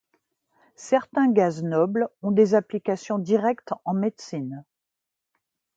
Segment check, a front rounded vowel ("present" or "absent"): absent